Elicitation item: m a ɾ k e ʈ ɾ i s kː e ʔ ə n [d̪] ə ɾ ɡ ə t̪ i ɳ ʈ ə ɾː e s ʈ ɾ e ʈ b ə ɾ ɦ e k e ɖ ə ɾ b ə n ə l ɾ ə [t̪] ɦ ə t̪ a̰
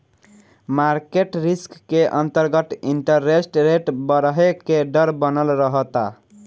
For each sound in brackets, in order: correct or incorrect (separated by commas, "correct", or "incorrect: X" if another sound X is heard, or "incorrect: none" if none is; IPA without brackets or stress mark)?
incorrect: t̪, incorrect: none